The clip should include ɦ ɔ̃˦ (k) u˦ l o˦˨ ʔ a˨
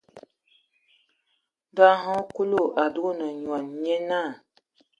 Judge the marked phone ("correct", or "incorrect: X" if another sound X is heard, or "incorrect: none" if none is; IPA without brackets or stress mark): correct